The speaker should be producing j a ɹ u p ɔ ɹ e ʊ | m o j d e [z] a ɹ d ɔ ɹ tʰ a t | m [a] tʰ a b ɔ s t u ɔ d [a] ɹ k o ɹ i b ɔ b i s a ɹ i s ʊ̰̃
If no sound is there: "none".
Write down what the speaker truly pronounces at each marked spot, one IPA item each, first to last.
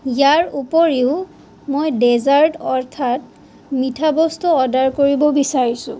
z, i, a

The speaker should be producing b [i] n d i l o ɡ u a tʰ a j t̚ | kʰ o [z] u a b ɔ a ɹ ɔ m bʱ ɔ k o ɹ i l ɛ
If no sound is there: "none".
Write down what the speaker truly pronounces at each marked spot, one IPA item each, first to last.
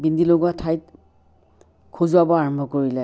i, z

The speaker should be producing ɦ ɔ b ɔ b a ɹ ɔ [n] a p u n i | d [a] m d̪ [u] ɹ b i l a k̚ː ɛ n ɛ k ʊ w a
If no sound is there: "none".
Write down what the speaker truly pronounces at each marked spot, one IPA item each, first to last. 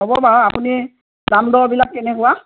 none, a, ɔ

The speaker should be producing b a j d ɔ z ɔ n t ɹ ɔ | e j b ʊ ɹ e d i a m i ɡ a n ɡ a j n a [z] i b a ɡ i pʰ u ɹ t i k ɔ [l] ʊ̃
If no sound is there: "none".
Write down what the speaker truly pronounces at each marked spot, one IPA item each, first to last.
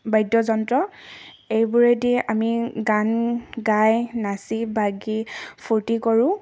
s, ɹ

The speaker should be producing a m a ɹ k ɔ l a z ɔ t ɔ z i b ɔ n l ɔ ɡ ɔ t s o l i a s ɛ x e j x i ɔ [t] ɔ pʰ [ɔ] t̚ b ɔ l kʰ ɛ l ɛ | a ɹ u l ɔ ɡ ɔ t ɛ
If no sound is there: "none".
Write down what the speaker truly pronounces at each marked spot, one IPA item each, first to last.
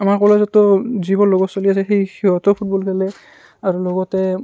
t, u

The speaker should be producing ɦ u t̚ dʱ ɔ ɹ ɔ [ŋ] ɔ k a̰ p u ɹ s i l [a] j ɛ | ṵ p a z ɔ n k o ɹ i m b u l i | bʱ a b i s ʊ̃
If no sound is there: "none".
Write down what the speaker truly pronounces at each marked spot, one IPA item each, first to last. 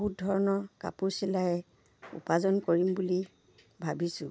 n, a

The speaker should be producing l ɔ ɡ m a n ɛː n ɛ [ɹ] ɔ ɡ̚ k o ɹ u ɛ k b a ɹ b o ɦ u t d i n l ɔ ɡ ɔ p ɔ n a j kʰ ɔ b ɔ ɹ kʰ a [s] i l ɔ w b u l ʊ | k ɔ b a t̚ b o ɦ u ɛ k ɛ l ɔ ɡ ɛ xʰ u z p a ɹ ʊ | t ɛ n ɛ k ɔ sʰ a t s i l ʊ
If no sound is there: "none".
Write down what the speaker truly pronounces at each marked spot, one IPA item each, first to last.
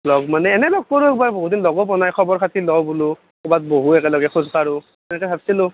l, t

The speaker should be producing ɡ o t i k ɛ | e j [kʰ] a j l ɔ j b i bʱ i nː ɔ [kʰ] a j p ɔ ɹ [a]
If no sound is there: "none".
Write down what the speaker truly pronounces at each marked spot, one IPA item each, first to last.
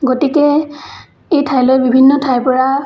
tʰ, tʰ, a

